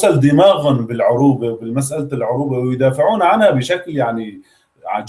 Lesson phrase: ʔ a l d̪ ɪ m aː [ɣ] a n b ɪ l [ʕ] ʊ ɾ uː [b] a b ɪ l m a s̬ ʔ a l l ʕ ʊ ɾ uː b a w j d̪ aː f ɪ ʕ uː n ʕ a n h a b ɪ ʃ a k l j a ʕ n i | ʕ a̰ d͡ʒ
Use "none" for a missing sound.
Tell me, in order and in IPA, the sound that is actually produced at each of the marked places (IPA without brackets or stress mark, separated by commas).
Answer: ɣ, ʕ, b